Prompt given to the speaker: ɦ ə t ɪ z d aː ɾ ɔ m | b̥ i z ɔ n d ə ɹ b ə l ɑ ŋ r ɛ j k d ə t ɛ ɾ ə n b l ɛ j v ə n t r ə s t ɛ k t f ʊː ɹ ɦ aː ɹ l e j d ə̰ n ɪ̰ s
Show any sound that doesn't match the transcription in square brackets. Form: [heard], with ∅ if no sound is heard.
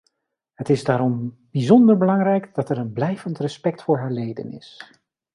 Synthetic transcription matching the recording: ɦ ə t ɪ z d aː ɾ ɔ m | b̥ i z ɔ n d ə ɹ b ə l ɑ ŋ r ɛ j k d [ɑ] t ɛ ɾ ə n b l ɛ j v ə n t r ə s [p] ɛ k t f ʊː ɹ ɦ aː ɹ l e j d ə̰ n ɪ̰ s